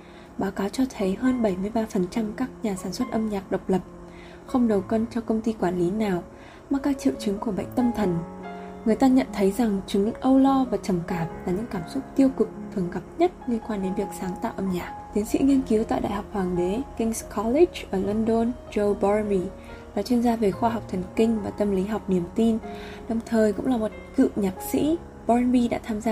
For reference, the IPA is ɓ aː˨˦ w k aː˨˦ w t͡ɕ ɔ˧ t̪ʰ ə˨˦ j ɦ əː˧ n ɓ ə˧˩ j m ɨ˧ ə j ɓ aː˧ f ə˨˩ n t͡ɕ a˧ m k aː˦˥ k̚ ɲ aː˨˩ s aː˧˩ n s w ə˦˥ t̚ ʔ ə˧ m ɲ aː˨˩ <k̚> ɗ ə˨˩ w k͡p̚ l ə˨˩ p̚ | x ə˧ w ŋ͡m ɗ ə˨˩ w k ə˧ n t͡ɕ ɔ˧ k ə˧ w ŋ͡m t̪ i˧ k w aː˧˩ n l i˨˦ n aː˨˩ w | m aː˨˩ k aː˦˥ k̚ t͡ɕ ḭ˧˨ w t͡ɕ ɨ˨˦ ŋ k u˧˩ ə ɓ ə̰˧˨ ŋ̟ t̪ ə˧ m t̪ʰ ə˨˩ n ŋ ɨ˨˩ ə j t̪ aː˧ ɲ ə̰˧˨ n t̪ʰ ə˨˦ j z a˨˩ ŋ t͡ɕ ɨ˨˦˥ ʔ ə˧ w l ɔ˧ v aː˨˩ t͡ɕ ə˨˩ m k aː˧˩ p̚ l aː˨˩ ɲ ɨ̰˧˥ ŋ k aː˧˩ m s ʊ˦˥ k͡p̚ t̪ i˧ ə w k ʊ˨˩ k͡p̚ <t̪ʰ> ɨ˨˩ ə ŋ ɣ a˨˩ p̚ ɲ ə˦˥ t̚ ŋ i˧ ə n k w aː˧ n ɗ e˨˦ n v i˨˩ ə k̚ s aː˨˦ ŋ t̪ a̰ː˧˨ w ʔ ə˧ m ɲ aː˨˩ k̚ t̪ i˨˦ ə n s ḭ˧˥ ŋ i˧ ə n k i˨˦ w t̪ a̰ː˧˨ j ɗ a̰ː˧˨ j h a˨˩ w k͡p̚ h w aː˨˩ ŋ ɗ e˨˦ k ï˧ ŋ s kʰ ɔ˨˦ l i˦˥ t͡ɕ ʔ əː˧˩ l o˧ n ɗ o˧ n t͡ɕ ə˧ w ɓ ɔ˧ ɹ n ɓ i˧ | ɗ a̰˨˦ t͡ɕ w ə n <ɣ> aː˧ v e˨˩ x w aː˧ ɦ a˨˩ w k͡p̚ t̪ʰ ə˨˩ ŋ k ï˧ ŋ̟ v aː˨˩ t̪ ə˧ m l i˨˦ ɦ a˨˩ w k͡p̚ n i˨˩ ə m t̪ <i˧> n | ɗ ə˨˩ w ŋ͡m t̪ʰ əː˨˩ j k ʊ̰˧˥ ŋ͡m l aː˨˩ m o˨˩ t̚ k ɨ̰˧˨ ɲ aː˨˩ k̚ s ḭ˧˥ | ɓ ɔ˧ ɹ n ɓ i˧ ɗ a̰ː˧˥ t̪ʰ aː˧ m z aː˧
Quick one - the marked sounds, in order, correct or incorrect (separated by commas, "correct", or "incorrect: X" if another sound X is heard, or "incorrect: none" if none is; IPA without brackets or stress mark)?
correct, correct, incorrect: z, correct